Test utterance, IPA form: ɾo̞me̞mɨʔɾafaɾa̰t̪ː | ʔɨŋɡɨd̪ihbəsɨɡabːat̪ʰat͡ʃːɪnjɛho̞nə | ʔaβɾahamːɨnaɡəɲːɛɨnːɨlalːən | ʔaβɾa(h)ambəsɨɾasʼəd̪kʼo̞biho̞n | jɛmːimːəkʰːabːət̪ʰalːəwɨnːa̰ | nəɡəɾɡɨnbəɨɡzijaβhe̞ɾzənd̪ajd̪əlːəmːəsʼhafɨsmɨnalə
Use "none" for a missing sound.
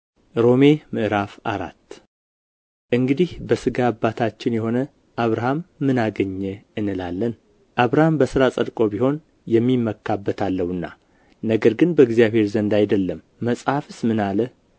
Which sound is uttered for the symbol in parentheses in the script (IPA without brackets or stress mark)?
h